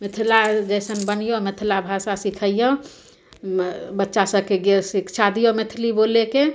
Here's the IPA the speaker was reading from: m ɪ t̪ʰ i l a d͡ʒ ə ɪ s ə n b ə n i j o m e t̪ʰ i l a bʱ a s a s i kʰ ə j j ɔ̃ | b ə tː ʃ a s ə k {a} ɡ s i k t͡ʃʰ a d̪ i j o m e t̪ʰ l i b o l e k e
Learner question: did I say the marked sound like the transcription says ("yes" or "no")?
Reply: no